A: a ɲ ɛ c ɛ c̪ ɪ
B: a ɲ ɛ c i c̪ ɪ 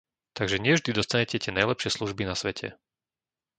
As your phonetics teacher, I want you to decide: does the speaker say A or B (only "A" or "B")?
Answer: A